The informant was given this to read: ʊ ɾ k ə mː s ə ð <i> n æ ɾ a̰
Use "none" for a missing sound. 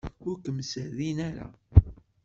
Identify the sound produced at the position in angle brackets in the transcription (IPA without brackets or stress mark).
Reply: i